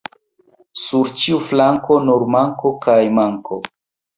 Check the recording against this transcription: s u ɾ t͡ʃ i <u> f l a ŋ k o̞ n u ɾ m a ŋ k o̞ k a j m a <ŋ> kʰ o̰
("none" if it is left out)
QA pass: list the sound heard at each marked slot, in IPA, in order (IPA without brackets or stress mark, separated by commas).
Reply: u, ŋ